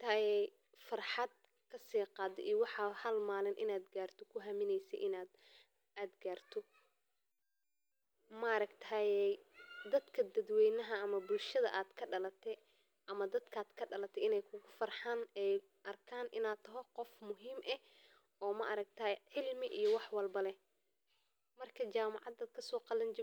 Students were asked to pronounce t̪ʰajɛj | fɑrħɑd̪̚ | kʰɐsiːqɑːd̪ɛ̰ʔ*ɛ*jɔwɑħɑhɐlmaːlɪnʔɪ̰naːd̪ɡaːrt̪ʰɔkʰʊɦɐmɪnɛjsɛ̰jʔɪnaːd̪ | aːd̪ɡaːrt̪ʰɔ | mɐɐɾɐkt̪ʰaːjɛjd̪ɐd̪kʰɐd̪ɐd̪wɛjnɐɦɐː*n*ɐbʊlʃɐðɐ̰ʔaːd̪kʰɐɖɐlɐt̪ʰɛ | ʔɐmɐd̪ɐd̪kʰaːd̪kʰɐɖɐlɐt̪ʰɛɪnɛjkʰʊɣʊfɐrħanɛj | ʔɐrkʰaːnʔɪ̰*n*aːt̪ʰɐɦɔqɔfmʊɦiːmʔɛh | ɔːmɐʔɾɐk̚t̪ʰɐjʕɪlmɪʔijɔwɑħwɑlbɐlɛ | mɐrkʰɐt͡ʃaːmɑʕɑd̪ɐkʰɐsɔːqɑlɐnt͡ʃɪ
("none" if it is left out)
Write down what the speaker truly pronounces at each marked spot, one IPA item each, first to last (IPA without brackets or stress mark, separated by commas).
i, m, n